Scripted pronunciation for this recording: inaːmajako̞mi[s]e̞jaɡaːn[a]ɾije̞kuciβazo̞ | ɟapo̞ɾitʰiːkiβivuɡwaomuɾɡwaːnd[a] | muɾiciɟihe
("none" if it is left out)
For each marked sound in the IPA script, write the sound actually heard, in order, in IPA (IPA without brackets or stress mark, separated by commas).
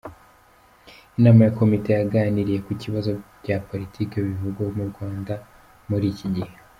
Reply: t, i, a